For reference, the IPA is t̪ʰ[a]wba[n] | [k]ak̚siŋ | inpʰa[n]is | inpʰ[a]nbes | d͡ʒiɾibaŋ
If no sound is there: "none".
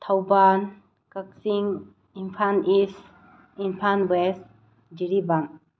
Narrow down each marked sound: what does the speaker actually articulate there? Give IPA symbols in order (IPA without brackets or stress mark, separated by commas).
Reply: a, n, k, n, a